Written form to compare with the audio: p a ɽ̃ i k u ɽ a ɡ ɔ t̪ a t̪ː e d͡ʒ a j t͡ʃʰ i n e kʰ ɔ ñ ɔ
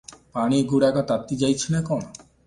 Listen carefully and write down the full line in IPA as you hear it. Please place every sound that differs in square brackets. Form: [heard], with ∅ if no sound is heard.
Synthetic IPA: p a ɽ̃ i [ɡ] u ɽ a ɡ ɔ t̪ a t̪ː [i] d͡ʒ a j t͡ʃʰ i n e [k] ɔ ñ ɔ

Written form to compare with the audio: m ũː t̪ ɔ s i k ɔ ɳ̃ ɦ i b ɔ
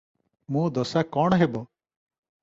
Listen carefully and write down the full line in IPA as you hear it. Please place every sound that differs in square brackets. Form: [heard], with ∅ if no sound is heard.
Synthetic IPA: m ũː [d̪] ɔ s [a] k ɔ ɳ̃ ɦ [e] b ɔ

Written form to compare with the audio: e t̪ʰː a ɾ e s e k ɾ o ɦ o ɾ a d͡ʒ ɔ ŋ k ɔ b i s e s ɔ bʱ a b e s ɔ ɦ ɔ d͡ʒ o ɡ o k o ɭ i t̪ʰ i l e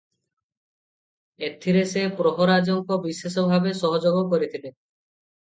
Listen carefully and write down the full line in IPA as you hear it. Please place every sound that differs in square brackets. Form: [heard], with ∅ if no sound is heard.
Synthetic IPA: e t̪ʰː [i] ɾ e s e [p] ɾ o ɦ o ɾ a d͡ʒ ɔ ŋ k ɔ b i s e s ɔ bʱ a b e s ɔ ɦ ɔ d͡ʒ o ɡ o k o [ɾ] i t̪ʰ i l e

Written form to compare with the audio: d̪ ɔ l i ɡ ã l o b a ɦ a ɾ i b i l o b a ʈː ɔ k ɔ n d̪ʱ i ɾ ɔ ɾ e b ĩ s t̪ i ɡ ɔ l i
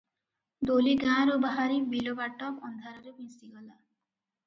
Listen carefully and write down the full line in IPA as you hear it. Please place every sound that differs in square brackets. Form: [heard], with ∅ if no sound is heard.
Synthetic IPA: d̪ [o] l i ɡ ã [ɾ] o b a ɦ a ɾ i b i l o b a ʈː ɔ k ɔ n d̪ʱ [a] ɾ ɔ ɾ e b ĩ s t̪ i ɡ ɔ l [a]

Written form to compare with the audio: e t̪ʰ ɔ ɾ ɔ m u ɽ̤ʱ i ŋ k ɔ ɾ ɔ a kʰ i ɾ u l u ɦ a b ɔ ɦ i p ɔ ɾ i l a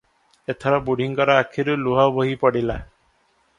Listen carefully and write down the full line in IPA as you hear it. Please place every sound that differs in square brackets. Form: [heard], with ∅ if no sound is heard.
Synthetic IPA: e t̪ʰ ɔ ɾ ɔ [b] u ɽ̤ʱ i ŋ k ɔ ɾ ɔ a kʰ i ɾ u l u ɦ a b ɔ ɦ i p ɔ [ɽ] i l a

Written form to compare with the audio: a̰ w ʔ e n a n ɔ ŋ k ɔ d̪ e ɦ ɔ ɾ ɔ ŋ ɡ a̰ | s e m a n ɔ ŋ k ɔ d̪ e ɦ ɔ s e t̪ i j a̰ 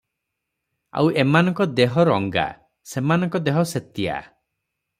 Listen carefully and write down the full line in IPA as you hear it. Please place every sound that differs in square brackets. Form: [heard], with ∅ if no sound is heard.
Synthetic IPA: a̰ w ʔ e [m] a n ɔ ŋ k ɔ d̪ e ɦ ɔ ɾ ɔ ŋ ɡ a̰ | s e m a n ɔ ŋ k ɔ d̪ e ɦ ɔ s e t̪ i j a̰

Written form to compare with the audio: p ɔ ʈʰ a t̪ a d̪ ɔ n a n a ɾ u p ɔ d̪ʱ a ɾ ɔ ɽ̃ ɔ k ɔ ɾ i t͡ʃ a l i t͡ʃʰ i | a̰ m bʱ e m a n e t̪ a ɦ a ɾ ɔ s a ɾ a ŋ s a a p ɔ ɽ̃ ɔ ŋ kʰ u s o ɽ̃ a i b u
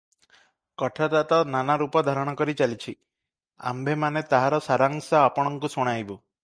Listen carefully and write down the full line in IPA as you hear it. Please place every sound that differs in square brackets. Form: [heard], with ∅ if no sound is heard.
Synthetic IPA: [k] ɔ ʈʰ a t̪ a [t̪] ɔ n a n a ɾ u p ɔ d̪ʱ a ɾ ɔ ɽ̃ ɔ k ɔ ɾ i t͡ʃ a l i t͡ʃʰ i | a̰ m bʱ e m a n e t̪ a ɦ a ɾ ɔ s a ɾ a ŋ s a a p ɔ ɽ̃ ɔ ŋ [k] u s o ɽ̃ a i b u

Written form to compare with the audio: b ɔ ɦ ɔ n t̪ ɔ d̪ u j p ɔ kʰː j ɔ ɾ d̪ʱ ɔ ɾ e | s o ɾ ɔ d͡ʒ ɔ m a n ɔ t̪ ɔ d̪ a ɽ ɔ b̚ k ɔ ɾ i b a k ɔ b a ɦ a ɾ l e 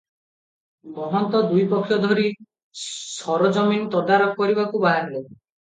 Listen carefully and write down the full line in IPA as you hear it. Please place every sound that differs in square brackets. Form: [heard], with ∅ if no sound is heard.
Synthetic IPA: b ɔ ɦ ɔ n t̪ ɔ d̪ u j p ɔ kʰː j ɔ [∅] d̪ʱ ɔ ɾ [i] | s [ɔ] ɾ ɔ d͡ʒ ɔ m [i] n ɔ t̪ ɔ d̪ a [ɾ] ɔ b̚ k ɔ ɾ i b a k [u] b a ɦ a ɾ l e

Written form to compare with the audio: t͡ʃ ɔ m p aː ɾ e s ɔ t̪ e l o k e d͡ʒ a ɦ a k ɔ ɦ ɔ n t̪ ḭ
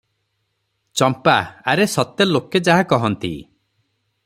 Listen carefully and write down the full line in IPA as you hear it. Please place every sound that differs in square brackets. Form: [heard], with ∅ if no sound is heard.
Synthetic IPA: t͡ʃ ɔ m p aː ɾ e s ɔ t̪ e l o k e d͡ʒ a ɦ a k ɔ ɦ ɔ n t̪ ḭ

